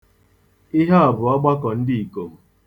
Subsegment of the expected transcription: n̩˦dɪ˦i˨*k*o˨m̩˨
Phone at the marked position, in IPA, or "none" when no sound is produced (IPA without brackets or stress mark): k